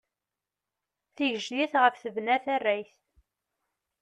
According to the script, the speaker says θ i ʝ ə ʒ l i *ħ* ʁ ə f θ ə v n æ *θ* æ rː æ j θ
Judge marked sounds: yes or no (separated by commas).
no, yes